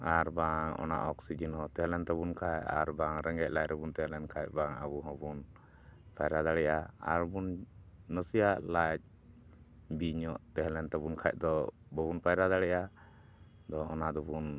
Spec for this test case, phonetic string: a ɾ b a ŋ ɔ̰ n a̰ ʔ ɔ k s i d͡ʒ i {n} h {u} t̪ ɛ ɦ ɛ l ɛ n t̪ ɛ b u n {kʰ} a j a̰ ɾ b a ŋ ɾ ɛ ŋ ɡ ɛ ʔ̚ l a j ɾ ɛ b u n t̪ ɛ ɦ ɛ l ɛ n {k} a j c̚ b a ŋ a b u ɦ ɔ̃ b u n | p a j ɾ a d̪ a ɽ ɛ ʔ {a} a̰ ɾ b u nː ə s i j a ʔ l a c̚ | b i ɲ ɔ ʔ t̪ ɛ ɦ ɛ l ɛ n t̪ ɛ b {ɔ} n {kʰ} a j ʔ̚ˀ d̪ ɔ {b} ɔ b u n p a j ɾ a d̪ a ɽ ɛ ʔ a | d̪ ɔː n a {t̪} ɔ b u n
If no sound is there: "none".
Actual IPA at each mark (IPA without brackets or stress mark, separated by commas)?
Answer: n, ɔ, kʰ, kʰ, a, u, kʰ, b, d̪